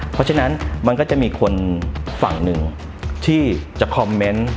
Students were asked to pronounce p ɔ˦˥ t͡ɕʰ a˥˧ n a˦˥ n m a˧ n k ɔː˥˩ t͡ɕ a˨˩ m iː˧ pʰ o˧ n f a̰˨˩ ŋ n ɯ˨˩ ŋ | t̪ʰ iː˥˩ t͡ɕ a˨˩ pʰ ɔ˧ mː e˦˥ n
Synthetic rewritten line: pʰ ɔ˦˥ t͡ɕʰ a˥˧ n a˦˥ n m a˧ n k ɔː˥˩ t͡ɕ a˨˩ m iː˧ kʰ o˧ n f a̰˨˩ ŋ n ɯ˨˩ ŋ | t̪ʰ iː˥˩ t͡ɕ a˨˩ kʰ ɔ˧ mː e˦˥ n